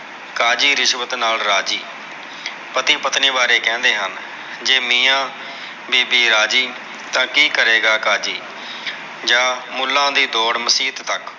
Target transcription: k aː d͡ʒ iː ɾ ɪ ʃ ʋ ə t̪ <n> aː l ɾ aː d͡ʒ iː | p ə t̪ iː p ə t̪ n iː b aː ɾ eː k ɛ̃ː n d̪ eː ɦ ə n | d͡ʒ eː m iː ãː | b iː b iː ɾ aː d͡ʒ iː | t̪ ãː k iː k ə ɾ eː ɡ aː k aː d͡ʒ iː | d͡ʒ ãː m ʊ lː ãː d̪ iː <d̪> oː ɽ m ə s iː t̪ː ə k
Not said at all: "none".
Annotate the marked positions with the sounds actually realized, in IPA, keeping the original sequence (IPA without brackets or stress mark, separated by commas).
n, d̪